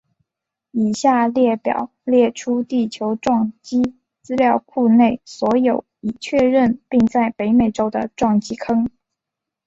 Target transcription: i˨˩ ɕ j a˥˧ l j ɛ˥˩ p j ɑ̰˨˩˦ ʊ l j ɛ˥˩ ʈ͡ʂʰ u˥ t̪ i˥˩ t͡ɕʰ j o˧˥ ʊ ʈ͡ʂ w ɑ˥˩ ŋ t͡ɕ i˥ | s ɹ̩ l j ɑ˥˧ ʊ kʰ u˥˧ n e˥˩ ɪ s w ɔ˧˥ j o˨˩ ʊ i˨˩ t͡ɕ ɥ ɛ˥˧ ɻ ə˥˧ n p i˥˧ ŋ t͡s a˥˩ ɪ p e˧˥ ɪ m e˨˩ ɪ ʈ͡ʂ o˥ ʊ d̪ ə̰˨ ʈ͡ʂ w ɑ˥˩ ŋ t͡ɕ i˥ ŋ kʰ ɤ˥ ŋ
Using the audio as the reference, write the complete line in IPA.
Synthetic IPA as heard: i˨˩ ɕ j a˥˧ l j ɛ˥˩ p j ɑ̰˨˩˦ ʊ l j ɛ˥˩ ʈ͡ʂʰ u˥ t̪ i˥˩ t͡ɕʰ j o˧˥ ʊ ʈ͡ʂ w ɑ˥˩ ŋ t͡ɕ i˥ | t͡s ɹ̩ l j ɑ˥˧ ʊ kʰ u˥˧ n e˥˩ ɪ s w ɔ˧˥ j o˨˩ ʊ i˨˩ t͡ɕʰ ɥ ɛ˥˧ ɻ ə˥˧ n p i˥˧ ŋ t͡s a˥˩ ɪ p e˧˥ ɪ m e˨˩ ɪ ʈ͡ʂ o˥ ʊ d̪ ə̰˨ ʈ͡ʂ w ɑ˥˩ ŋ t͡ɕ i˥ kʰ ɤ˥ ŋ